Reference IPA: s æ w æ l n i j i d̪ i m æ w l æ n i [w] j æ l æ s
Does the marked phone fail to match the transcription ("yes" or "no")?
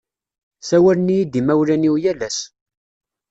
no